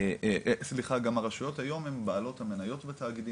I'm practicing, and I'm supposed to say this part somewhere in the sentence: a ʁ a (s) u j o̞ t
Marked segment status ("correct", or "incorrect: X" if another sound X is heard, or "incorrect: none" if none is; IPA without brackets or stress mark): incorrect: ʃ